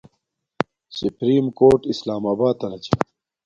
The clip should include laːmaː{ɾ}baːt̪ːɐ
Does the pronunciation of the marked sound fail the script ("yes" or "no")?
yes